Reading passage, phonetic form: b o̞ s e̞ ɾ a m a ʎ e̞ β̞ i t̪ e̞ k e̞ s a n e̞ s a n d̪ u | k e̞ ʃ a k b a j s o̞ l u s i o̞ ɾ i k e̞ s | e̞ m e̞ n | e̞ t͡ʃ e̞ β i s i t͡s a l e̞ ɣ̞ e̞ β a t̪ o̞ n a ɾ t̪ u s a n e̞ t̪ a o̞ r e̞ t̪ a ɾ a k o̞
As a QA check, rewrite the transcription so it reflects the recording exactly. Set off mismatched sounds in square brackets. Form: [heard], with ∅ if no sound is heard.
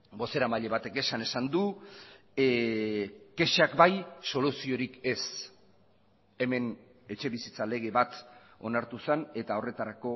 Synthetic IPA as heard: b o̞ s e̞ ɾ a m a ʎ e̞ β̞ [a] t̪ e̞ k e̞ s a n e̞ s a n d̪ u | k e̞ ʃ a k b a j s o̞ l u s i o̞ ɾ i k e̞ s | e̞ m e̞ n | e̞ t͡ʃ e̞ β i s i t͡s a l e̞ ɣ̞ e̞ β a t̪ o̞ n a ɾ t̪ u s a n e̞ t̪ a o̞ r e̞ t̪ a ɾ a k o̞